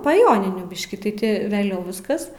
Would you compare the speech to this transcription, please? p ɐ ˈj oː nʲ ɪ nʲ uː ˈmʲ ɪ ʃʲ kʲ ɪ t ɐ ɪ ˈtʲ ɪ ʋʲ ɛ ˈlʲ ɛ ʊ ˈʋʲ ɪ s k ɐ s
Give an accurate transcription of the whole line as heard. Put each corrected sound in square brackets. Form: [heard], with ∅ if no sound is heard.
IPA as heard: p ɐ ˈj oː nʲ ɪ nʲ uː [ˈbʲ] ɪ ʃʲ kʲ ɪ t ɐ ɪ ˈtʲ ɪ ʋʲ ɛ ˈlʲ ɛ ʊ ˈʋʲ ɪ s k ɐ s

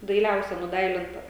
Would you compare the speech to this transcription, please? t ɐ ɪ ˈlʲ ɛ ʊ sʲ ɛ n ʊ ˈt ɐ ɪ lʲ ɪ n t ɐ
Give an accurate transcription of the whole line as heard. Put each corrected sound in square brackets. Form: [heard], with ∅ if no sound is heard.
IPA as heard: [d] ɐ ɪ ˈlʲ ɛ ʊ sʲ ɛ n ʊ [ˈd] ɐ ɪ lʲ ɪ n t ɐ

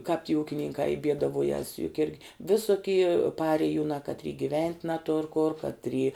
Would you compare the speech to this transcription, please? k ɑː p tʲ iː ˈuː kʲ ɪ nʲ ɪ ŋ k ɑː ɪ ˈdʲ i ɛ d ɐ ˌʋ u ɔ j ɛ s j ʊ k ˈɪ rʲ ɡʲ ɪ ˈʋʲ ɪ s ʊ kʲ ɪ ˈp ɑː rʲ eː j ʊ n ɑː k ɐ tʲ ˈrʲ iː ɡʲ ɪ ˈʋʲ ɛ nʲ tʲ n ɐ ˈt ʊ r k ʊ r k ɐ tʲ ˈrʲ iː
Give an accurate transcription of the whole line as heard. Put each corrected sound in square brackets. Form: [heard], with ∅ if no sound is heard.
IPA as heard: k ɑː p tʲ iː ˈuː kʲ ɪ nʲ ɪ ŋ k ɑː ɪ [ˈbʲ] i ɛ d ɐ ˌʋ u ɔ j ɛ s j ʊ k ˈɪ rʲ ɡʲ ɪ ˈʋʲ ɪ s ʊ kʲ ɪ ˈp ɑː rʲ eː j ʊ n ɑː k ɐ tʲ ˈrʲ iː ɡʲ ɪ ˈʋʲ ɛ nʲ tʲ n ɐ ˈt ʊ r k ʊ r k ɐ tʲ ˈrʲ iː

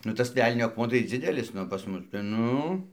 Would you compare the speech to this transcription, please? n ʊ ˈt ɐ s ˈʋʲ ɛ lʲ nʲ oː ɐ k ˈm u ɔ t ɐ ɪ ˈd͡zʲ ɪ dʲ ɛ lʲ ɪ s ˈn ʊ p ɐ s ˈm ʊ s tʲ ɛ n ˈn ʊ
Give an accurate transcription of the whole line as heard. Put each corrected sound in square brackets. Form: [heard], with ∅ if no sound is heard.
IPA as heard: n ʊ ˈt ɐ s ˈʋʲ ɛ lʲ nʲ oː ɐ k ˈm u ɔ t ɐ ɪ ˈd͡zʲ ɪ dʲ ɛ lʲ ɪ s ˈn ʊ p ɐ s ˈm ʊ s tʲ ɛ n ˈn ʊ

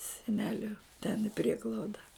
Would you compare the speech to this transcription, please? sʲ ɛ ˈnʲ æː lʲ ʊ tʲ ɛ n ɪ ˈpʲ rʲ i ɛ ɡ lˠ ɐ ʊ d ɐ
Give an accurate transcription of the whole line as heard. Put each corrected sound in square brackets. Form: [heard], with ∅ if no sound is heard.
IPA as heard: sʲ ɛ ˈnʲ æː lʲ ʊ tʲ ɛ n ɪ ˈpʲ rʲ i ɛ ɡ lˠ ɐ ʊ d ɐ

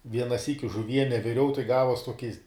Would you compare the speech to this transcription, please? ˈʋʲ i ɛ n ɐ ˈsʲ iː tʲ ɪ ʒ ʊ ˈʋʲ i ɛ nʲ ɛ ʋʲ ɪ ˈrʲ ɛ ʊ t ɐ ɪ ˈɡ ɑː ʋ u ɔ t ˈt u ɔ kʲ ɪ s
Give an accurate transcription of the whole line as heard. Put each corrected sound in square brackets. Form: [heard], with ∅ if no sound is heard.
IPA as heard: ˈʋʲ i ɛ n ɐ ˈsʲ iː [kʲ] ɪ ʒ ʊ ˈʋʲ i ɛ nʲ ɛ ʋʲ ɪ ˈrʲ ɛ ʊ t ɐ ɪ ˈɡ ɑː ʋ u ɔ [s] ˈt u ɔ kʲ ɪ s

